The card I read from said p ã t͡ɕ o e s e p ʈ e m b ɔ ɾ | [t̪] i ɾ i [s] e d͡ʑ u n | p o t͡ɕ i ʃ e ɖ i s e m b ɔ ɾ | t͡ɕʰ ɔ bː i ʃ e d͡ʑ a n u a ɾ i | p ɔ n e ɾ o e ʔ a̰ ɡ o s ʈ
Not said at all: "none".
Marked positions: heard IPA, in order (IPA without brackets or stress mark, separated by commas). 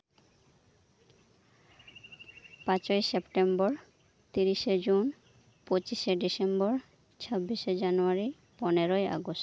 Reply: t̪, ʃ